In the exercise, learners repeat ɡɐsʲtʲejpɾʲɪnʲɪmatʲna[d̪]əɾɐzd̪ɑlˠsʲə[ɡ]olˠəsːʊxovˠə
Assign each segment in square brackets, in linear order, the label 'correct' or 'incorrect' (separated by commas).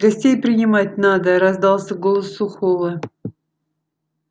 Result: correct, correct